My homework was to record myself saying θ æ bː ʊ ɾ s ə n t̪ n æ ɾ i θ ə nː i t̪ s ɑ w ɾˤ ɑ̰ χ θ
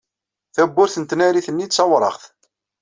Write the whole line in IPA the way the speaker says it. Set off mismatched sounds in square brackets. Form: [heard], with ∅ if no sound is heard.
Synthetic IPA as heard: θ æ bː ʊ ɾ [θ] ə n t̪ n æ ɾ i θ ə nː i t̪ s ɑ w ɾˤ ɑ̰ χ θ